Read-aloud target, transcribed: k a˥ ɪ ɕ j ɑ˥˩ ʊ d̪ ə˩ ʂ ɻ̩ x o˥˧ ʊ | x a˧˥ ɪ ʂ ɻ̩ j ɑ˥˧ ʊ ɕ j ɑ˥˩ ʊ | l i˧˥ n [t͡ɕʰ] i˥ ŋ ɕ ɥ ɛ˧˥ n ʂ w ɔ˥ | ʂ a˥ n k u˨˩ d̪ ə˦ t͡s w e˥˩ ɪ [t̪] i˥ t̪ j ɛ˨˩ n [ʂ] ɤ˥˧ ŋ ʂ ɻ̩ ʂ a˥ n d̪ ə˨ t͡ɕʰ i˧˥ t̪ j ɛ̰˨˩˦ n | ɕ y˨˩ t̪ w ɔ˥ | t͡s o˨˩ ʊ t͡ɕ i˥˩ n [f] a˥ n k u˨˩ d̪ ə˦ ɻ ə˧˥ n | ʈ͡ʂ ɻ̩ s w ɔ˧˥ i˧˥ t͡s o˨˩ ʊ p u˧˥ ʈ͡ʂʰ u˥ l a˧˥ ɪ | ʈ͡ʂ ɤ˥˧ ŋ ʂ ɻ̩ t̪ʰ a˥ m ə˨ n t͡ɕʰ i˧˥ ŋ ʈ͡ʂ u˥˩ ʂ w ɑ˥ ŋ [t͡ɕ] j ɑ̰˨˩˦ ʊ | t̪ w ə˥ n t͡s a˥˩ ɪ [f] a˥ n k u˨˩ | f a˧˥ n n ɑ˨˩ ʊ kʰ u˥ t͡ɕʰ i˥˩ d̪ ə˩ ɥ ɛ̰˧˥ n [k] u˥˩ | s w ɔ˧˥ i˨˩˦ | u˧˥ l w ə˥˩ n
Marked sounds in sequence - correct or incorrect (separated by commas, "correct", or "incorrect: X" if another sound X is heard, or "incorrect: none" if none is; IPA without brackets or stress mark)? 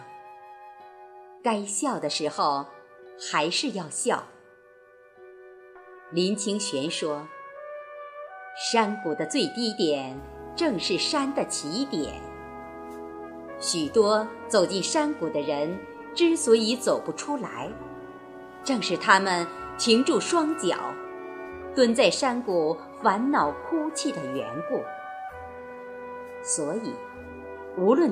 correct, correct, incorrect: ʈ͡ʂ, incorrect: ʂ, correct, incorrect: ʂ, correct